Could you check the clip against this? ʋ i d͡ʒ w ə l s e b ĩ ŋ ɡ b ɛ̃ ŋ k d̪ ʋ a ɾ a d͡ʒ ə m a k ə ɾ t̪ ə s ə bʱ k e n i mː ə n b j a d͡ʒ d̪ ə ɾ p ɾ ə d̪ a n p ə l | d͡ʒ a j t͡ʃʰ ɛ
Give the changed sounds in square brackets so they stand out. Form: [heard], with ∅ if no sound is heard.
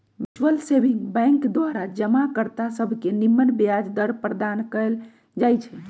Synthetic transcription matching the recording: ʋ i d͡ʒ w ə l s e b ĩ ŋ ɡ b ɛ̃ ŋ k d̪ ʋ a ɾ a d͡ʒ ə m a k ə ɾ t̪ [a] s ə bʱ k e n i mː ə n b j a d͡ʒ d̪ ə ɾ p ɾ ə d̪ a n [k] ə l | d͡ʒ a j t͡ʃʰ ɛ